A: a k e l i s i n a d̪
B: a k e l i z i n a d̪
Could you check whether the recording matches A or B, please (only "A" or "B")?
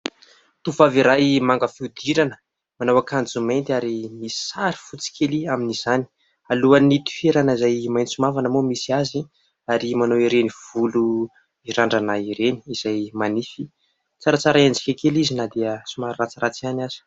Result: B